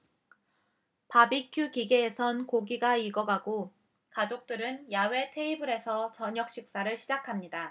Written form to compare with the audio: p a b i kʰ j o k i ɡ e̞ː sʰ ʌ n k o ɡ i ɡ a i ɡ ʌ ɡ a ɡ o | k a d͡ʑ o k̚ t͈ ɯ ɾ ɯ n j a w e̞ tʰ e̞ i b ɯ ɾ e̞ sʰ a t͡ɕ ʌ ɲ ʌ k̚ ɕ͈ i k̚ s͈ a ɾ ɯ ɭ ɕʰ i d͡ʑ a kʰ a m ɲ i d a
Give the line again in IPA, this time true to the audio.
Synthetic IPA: p a b i kʰ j u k i ɡ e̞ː sʰ ʌ n k o ɡ i ɡ a i ɡ ʌ ɡ a ɡ o | k a d͡ʑ o k̚ t͈ ɯ ɾ ɯ n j a w e̞ tʰ e̞ i b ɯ ɾ e̞ sʰ ʌ t͡ɕ ʌ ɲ ʌ k̚ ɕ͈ i k̚ s͈ a ɾ ɯ ɭ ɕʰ i d͡ʑ a kʰ a m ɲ i d a